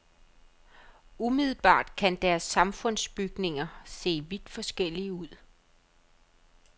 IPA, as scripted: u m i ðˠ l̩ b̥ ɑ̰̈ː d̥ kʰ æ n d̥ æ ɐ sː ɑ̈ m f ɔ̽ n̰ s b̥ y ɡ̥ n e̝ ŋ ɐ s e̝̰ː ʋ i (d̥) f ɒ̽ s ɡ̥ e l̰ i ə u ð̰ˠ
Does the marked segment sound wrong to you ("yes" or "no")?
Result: no